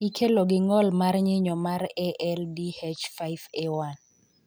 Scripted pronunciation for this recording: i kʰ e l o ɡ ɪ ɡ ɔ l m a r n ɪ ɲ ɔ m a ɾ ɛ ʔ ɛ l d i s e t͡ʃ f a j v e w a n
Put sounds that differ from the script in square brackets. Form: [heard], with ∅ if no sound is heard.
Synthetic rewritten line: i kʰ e l o ɡ ɪ [ŋ] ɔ l m a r [ɲ] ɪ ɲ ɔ m a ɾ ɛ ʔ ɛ l d i [h] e t͡ʃ f a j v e w a n